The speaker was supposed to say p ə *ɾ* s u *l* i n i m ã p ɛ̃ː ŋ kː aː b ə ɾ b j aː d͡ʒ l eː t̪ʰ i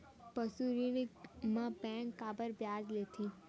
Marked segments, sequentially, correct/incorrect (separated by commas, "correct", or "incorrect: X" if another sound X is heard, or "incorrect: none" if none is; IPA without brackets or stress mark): incorrect: none, incorrect: ɾ